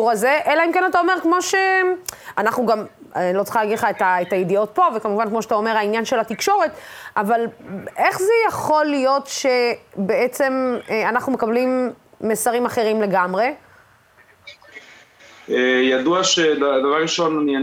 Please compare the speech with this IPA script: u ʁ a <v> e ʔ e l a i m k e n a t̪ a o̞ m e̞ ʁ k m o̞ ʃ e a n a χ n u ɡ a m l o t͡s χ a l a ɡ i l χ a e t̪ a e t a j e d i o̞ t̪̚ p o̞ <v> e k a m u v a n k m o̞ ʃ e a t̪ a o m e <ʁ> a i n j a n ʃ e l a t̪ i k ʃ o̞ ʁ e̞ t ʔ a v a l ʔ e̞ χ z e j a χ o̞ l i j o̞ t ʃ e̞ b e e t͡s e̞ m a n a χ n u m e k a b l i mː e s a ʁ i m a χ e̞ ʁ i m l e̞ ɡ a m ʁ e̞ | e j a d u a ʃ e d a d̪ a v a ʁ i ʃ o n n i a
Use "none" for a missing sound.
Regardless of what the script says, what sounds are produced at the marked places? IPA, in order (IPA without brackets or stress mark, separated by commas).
z, v, ʁ